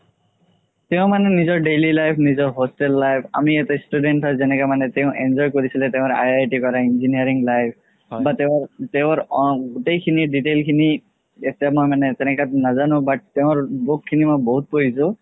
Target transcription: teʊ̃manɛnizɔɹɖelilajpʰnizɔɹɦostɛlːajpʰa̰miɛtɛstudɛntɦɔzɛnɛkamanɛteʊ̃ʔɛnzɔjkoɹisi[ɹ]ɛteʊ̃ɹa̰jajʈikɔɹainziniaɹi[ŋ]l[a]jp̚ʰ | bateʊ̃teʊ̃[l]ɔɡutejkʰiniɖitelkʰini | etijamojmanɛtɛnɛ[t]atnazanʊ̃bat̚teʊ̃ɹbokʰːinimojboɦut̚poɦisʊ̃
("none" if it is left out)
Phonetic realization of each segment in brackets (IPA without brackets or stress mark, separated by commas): l, ŋ, a, ɹ, k